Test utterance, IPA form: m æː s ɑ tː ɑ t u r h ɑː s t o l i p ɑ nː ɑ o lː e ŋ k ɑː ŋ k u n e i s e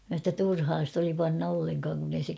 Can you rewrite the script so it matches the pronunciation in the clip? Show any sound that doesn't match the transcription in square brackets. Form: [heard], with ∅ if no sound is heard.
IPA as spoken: m [æ] s ɑ tː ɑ t u r h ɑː s t o l i p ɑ nː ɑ o lː e ŋ k ɑː ŋ k u n e i s e